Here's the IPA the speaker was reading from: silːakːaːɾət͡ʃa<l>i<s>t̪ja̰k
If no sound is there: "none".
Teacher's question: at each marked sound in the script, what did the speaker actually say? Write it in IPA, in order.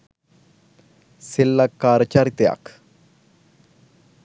ɾ, none

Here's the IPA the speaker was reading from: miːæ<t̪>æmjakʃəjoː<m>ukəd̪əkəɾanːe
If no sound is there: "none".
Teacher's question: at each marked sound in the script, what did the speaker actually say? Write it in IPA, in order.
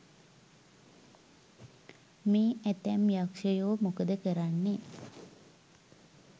t̪, m

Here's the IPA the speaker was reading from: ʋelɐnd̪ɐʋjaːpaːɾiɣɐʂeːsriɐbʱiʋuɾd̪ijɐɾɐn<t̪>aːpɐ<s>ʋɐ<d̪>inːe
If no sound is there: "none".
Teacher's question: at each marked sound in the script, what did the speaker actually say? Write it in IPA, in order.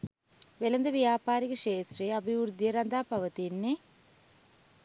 d̪, none, t̪

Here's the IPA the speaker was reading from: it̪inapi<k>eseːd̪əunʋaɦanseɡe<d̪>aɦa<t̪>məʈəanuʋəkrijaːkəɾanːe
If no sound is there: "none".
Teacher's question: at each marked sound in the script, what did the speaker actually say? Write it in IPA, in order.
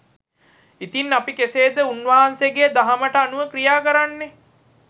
k, d̪, none

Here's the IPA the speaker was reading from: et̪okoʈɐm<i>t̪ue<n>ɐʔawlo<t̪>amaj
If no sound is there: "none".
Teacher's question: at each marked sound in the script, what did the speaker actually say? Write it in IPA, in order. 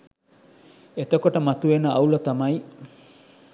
a, n, t̪

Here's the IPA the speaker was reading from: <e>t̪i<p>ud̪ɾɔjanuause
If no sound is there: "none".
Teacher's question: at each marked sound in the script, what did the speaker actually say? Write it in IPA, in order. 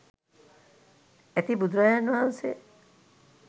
e, b

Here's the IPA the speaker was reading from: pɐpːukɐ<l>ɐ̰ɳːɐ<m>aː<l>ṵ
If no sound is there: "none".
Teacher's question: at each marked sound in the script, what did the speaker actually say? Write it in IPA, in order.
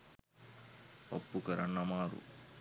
ɾ, m, ɾ

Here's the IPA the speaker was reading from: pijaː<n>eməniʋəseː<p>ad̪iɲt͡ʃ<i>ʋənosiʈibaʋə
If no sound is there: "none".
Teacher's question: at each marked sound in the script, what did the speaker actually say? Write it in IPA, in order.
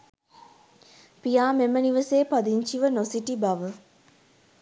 m, p, i

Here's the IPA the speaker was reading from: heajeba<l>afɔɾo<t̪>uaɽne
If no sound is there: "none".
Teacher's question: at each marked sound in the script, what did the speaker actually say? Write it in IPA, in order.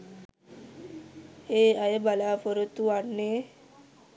l, t̪

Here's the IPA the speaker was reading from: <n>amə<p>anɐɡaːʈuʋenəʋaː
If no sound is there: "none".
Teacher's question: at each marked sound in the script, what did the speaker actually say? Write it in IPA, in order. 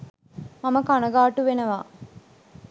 m, k

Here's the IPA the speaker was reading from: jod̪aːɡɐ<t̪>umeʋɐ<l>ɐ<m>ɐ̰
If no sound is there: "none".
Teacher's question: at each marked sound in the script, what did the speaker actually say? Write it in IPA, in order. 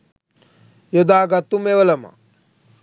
t̪, l, m

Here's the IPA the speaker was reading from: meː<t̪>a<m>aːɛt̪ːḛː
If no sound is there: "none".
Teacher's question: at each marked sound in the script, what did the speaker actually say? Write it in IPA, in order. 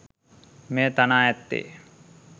t̪, n

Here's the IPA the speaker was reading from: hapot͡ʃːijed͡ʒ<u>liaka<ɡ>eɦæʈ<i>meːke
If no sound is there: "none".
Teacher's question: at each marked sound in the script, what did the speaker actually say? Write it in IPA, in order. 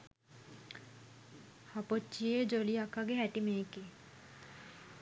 o, ɡ, i

